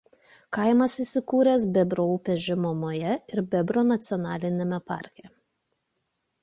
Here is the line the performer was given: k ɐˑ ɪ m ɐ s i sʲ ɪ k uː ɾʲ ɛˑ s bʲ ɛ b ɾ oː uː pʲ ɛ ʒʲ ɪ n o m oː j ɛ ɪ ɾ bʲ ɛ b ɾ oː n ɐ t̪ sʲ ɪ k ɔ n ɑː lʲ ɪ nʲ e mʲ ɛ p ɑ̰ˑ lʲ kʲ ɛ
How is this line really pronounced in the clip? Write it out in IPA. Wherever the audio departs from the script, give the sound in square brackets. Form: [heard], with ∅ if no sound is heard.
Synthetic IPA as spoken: k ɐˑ ɪ m ɐ s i sʲ ɪ k uː ɾʲ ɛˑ s bʲ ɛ b ɾ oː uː pʲ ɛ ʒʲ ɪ [m] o m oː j ɛ ɪ ɾ bʲ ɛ b ɾ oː n ɐ t̪ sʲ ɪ [∅] ɔ n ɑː lʲ ɪ nʲ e mʲ ɛ p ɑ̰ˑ [ɾʲ] kʲ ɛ